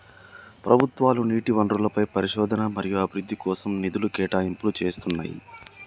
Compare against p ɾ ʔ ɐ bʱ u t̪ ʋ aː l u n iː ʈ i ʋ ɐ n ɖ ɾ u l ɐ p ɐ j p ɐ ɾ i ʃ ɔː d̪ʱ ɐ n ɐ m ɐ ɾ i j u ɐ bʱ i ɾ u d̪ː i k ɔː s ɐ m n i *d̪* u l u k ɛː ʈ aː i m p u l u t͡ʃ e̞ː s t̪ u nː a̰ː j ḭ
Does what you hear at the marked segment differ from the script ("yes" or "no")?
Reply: no